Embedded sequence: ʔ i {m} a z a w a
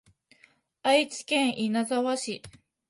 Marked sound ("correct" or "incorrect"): incorrect